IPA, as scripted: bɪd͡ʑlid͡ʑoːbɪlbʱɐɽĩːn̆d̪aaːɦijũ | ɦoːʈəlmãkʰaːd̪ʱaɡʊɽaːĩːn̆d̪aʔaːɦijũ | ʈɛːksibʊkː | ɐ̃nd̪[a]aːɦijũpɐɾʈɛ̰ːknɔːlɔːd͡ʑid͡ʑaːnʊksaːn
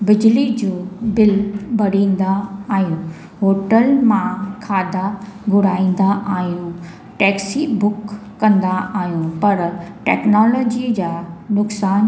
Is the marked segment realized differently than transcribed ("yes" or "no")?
no